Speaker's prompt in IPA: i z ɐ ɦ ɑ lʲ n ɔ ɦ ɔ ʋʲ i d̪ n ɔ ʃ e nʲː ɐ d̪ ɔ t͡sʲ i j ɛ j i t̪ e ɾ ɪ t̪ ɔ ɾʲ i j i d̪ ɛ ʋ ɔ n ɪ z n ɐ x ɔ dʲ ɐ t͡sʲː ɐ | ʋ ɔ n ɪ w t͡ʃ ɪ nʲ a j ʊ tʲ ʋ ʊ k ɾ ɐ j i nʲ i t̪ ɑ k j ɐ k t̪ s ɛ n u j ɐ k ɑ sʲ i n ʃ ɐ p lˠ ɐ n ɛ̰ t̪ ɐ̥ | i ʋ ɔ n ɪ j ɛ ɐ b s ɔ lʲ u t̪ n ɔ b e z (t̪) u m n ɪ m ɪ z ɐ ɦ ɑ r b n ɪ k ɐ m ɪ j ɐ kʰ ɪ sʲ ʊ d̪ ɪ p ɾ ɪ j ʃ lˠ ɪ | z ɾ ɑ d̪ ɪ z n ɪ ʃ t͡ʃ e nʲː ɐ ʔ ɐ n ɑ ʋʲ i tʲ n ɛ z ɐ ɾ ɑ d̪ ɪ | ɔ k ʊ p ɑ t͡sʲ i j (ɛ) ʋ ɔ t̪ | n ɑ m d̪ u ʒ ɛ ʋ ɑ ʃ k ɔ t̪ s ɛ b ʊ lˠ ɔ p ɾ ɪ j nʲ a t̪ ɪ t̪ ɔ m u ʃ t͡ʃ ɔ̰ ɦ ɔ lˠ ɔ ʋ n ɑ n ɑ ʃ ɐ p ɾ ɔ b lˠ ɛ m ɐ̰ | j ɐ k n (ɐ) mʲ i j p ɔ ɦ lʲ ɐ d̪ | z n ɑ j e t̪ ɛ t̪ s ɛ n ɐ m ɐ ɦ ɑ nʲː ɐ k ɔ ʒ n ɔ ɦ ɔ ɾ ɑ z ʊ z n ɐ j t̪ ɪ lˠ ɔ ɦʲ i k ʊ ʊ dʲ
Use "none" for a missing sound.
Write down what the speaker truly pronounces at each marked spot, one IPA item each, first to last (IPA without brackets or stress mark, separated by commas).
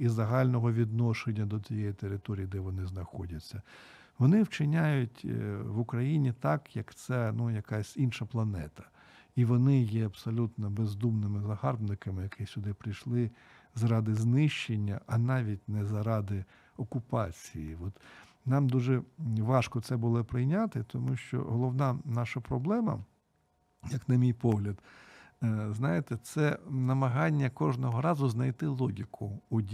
d̪, i, ɐ